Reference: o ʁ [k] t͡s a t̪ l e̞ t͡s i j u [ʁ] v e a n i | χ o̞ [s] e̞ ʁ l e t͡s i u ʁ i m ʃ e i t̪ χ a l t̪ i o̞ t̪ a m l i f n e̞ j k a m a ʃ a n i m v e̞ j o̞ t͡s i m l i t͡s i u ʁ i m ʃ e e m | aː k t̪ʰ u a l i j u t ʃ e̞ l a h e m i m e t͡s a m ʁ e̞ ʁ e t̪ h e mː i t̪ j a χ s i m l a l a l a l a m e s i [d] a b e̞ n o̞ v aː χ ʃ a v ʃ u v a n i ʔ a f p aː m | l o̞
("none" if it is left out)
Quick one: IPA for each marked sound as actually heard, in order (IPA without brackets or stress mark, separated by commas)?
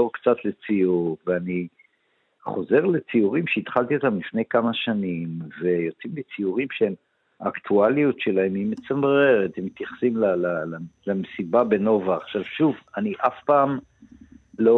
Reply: k, ʁ, z, b